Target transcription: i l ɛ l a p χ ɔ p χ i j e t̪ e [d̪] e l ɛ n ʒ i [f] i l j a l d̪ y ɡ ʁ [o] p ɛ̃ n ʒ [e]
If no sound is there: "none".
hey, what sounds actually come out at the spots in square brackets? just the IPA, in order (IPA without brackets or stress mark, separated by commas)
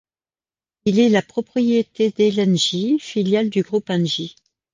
d̪, f, u, i